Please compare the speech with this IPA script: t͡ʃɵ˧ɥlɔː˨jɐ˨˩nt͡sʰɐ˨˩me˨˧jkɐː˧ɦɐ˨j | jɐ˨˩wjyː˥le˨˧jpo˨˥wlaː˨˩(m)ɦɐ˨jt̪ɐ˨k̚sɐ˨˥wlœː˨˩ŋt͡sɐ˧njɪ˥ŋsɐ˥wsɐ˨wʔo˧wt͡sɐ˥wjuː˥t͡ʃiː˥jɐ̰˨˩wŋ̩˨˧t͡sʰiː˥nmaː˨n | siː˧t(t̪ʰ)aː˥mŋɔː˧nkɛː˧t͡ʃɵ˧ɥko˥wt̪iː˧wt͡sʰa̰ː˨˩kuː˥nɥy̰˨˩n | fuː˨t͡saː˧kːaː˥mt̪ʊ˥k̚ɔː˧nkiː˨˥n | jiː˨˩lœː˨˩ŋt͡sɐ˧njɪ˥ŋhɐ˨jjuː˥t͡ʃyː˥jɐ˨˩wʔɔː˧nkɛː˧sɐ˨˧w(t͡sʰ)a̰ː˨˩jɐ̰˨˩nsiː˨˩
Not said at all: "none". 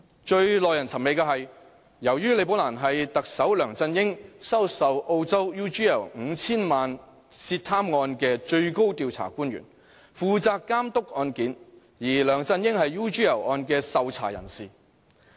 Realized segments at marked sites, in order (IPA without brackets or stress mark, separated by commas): n, t̪ʰ, t͡sʰ